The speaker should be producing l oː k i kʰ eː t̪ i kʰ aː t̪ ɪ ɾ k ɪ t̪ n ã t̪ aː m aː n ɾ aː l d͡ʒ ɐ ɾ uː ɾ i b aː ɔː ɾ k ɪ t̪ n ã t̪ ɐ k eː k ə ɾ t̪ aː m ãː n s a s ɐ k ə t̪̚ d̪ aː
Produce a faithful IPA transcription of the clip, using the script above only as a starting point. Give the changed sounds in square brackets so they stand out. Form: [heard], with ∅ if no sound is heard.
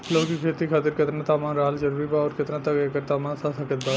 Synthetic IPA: l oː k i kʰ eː t̪ i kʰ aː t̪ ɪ ɾ k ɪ t̪ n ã t̪ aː m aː n ɾ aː l d͡ʒ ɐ ɾ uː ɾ i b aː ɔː ɾ k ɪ t̪ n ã t̪ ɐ k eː k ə ɾ t̪ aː m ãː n s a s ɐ k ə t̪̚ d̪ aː